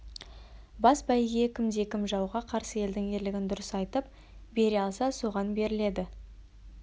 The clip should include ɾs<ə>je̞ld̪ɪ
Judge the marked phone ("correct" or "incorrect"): correct